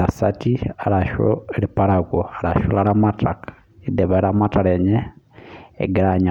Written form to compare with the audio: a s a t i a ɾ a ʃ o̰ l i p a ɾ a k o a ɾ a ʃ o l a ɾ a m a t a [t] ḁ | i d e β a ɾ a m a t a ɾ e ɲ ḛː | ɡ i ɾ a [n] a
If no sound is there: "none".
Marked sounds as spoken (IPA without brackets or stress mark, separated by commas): k, ɲ